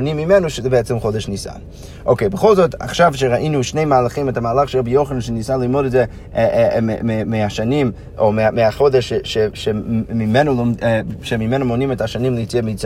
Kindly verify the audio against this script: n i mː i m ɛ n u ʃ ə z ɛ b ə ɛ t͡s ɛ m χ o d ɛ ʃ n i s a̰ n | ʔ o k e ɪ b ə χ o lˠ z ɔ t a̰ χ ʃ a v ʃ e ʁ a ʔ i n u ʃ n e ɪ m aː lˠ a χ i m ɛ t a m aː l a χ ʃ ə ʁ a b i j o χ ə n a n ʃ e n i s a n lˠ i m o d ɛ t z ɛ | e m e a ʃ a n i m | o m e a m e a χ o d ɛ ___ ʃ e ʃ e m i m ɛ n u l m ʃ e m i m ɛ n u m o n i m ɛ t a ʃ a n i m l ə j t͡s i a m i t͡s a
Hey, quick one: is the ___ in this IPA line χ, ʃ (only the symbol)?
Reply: ʃ